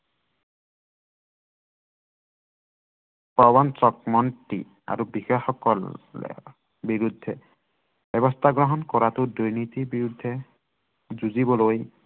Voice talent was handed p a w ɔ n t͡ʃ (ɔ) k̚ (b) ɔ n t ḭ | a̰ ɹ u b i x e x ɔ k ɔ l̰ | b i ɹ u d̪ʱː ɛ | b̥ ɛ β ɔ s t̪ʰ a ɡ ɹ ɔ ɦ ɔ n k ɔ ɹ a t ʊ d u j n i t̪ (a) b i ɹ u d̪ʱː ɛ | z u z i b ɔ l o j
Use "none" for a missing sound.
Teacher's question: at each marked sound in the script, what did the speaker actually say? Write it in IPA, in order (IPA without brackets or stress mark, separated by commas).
ɔ, m, i